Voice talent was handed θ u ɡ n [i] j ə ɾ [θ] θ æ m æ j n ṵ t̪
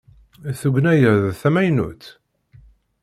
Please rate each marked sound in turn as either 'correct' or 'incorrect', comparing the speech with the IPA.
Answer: incorrect: æ, incorrect: ð

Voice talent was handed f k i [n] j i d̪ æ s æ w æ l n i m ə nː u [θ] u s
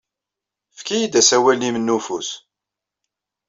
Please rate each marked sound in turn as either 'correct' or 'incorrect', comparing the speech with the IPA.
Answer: incorrect: none, incorrect: f

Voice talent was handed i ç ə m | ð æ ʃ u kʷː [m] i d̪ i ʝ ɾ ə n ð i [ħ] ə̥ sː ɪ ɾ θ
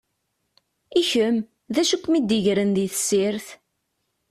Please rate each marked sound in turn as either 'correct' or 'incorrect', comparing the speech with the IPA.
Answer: correct, incorrect: θ

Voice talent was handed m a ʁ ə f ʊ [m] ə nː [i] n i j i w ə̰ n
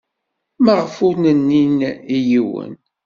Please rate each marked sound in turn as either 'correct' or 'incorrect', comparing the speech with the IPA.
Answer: incorrect: n, correct

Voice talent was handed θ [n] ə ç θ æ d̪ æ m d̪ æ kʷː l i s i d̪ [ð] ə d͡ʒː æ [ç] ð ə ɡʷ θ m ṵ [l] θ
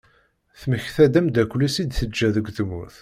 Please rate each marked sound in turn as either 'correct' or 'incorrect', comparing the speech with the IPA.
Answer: incorrect: m, incorrect: θ, incorrect: none, incorrect: none

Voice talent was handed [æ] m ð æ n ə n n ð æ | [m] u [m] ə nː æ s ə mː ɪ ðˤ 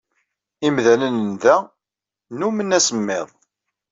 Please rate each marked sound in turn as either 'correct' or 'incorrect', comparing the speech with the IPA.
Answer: incorrect: i, incorrect: n, correct

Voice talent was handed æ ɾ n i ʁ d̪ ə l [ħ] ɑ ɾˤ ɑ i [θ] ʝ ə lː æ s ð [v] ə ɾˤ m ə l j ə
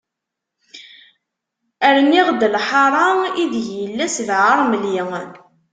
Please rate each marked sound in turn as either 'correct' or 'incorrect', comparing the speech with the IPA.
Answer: correct, incorrect: ð, incorrect: ʕ

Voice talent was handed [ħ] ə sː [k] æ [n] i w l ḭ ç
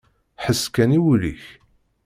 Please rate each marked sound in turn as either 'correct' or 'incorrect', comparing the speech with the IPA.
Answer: correct, correct, correct

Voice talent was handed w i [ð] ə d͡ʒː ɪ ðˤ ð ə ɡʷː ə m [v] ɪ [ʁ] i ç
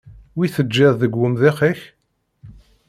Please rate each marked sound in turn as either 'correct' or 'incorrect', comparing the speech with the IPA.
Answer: incorrect: θ, incorrect: ð, incorrect: χ

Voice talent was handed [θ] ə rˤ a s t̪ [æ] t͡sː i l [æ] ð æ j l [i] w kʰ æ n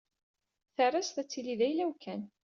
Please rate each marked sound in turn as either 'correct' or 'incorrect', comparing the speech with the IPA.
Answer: correct, correct, incorrect: i, incorrect: æ

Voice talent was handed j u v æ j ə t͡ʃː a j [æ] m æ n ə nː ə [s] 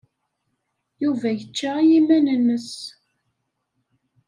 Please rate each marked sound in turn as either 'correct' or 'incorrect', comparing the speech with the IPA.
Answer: incorrect: i, correct

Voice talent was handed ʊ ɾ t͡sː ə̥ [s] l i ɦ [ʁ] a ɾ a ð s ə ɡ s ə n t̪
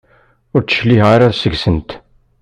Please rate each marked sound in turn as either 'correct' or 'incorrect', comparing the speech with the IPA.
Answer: incorrect: ʃ, correct

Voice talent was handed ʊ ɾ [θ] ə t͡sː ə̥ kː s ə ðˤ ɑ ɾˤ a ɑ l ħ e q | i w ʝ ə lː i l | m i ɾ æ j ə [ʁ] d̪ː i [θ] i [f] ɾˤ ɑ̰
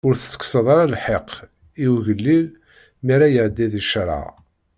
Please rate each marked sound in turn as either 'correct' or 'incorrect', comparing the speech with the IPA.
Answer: correct, incorrect: ʕ, incorrect: ð, incorrect: ʃ

